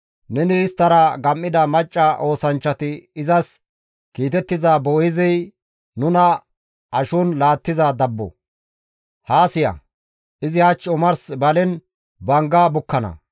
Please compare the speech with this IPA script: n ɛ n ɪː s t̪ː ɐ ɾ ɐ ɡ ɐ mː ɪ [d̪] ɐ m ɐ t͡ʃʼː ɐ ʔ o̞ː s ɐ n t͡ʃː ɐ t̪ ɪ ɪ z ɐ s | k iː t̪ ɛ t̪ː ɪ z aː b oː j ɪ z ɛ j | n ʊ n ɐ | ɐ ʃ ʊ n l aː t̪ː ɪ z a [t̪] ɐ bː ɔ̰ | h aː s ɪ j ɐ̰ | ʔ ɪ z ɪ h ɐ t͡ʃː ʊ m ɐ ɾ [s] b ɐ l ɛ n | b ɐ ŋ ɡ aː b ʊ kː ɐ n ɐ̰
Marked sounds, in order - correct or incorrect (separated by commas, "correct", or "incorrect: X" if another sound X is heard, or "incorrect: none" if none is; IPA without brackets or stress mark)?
correct, incorrect: d̪, correct